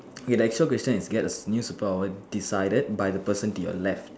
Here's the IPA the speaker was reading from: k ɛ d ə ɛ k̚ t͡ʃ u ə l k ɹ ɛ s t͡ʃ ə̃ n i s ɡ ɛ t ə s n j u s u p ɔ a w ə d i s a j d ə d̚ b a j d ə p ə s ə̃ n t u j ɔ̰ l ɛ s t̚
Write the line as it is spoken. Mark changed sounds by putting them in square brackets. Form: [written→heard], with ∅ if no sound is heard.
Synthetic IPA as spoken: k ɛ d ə ɛ k̚ t͡ʃ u ə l k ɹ ɛ s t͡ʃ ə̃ n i s ɡ ɛ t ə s n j u s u p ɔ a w ə d i s a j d ə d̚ b a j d ə p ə s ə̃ n t u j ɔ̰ l ɛ [s→f] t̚

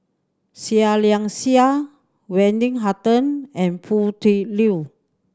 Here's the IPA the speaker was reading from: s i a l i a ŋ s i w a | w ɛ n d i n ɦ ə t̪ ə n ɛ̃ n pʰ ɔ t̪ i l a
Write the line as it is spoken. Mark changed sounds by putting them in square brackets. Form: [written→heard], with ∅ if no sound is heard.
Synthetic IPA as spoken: s i a l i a ŋ s i [w→∅] a | w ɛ n d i [n→ŋ] ɦ [ə→a] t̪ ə n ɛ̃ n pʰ [ɔ→u] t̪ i l [a→i]

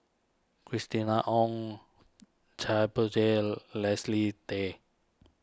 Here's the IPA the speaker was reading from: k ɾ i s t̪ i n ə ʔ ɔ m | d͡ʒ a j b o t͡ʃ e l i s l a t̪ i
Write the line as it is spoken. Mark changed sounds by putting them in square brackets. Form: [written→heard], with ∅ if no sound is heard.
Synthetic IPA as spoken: k ɾ i s t̪ i n [ə→a] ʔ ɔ [m→ŋ] | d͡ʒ a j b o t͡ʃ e l [i→ɛ] s l [a→i] t̪ [i→e]

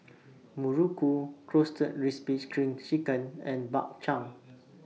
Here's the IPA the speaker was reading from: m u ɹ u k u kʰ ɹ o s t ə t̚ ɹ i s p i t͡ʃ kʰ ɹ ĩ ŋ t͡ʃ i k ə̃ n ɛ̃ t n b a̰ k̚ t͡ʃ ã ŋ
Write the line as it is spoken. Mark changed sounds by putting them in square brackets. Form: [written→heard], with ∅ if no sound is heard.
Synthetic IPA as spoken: m u ɹ u k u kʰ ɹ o s t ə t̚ ɹ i s p i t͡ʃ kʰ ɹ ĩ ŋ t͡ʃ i k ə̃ n ɛ̃ [t→∅] n b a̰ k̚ t͡ʃ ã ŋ

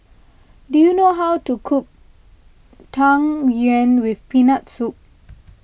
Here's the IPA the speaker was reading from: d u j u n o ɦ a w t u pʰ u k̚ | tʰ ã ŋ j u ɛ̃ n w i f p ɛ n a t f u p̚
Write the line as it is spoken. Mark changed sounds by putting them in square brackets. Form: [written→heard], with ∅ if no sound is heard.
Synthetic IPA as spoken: d u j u n o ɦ a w t u [pʰ→kʰ] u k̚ | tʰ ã ŋ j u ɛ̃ n w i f p [ɛ→i] n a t [f→s] u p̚

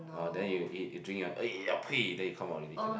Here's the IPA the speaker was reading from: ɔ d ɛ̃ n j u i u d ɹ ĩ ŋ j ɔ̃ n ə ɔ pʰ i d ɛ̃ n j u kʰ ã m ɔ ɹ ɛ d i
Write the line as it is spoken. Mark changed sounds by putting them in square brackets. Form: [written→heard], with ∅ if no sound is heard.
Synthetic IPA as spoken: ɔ d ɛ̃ n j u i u d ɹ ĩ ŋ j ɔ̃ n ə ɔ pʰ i d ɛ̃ n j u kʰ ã m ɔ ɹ ɛ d i

